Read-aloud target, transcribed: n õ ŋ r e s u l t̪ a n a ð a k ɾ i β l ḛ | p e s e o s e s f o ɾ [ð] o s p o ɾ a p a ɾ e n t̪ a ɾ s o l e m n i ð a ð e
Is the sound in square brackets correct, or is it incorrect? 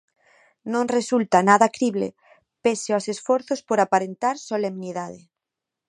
incorrect